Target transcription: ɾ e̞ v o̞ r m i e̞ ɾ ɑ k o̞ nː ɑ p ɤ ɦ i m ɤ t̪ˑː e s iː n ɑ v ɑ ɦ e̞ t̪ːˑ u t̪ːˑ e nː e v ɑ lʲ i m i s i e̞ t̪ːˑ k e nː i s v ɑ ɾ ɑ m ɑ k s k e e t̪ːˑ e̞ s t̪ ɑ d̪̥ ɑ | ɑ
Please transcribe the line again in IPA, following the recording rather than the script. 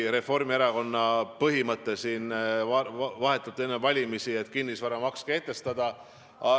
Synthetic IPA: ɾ e̞ f o̞ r m i e̞ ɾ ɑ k o̞ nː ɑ p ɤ ɦ i m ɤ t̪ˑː e s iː n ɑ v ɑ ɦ e̞ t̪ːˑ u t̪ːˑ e nː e v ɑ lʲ i m i s i e̞ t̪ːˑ k i nː i s v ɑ ɾ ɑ m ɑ k s k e e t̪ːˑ e̞ s t̪ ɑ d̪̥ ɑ | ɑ